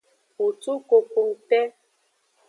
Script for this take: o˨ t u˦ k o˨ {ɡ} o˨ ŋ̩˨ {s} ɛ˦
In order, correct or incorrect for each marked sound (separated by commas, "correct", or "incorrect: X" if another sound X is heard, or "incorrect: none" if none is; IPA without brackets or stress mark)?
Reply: incorrect: k, incorrect: t